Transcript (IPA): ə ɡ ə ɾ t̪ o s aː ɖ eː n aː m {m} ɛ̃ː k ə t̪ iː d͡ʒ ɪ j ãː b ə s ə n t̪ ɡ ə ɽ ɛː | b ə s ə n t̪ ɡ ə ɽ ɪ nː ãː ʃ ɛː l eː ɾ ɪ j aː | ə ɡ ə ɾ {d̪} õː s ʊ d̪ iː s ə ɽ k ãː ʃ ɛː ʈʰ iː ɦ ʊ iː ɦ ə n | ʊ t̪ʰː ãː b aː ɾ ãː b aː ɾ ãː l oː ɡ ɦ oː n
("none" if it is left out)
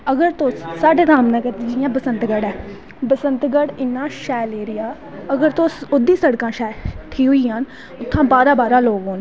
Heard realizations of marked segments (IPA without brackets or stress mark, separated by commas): n, t̪